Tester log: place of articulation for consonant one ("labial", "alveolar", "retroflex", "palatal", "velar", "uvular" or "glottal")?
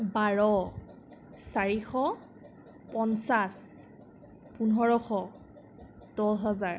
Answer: labial